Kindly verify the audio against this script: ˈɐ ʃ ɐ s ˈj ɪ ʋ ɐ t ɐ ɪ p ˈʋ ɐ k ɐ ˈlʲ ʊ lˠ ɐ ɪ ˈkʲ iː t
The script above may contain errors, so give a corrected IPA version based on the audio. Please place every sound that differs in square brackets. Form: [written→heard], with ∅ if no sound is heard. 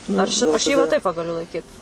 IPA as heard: ˈɐ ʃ ɐ [s→ʃ] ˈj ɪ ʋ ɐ t ɐ ɪ p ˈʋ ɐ [k→ɡ] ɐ ˈlʲ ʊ lˠ ɐ ɪ ˈkʲ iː t